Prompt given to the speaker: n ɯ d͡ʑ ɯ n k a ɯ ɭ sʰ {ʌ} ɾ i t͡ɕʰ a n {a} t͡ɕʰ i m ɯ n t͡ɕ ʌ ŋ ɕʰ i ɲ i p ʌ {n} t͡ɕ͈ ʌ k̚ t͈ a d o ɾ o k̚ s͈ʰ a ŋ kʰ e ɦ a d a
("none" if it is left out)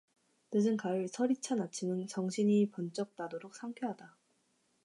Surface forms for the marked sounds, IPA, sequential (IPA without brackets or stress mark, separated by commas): ʌ, a, n